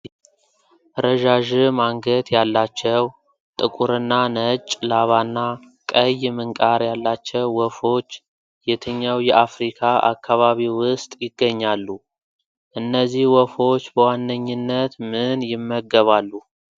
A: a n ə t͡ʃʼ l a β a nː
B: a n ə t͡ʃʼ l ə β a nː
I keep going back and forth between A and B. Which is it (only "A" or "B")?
A